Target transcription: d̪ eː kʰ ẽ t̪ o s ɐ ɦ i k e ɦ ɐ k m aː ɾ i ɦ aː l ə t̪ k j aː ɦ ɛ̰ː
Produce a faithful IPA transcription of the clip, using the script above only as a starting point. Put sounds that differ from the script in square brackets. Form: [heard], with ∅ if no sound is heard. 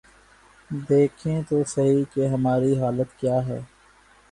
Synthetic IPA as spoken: d̪ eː kʰ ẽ t̪ o s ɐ ɦ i k e ɦ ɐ [∅] m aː ɾ i ɦ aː l ə t̪ k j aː ɦ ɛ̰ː